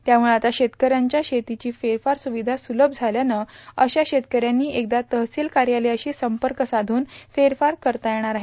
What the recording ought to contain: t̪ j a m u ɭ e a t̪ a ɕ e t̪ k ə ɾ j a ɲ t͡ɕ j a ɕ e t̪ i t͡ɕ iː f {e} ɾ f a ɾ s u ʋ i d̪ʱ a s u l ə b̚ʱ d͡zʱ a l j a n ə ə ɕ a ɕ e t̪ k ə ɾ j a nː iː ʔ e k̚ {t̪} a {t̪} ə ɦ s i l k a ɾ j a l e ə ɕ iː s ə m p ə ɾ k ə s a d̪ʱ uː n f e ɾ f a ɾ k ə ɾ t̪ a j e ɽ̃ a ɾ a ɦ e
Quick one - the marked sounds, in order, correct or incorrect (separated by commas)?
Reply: correct, incorrect, correct